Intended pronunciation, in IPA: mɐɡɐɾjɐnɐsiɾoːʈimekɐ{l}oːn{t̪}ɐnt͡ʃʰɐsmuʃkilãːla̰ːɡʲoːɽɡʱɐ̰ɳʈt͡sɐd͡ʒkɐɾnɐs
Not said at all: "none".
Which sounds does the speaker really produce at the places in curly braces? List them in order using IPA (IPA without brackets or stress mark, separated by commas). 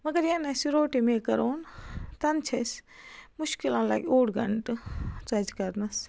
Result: ɾ, t̪